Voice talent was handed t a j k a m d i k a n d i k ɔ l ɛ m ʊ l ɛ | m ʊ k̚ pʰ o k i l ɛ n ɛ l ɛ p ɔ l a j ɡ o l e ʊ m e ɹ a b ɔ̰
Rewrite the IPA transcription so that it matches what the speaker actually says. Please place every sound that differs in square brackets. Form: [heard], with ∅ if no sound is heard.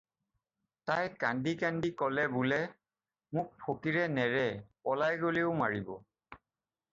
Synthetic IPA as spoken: t a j k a [n] d i k a n d i k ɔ l ɛ [b] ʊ l ɛ | m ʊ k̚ pʰ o k i [ɹ] ɛ n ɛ [ɹ] ɛ p ɔ l a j ɡ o l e ʊ m [a] ɹ [i] b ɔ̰